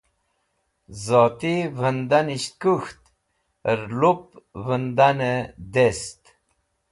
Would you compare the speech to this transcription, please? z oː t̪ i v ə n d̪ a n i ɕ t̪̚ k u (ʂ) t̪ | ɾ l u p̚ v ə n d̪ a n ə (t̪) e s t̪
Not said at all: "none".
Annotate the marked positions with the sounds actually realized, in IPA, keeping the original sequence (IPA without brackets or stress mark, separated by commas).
x, d̪